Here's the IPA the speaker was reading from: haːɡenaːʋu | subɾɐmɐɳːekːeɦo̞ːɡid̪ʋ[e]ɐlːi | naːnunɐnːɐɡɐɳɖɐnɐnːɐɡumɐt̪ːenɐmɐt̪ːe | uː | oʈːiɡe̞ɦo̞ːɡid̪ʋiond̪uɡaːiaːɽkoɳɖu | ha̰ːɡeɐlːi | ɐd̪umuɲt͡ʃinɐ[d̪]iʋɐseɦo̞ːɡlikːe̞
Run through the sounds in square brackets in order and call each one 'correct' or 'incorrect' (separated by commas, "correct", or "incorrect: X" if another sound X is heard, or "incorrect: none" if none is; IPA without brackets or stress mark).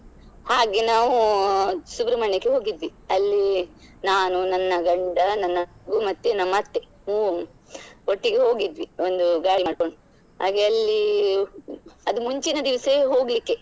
incorrect: i, correct